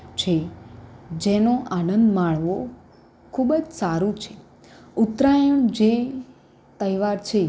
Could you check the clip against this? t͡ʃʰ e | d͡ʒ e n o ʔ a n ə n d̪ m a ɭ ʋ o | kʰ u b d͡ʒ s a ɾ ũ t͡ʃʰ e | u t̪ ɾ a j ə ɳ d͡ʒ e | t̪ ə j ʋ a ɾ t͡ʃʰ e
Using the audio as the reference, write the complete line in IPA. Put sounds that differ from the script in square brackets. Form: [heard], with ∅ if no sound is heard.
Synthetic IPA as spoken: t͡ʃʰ e | d͡ʒ e n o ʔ a n ə n d̪ m a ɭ ʋ o | kʰ u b d͡ʒ s a ɾ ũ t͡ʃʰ e | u t̪ ɾ a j ə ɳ d͡ʒ e | t̪ ə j ʋ a ɾ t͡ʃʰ e